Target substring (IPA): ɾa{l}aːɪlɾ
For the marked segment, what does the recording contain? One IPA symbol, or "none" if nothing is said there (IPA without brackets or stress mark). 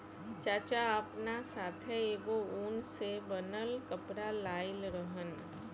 l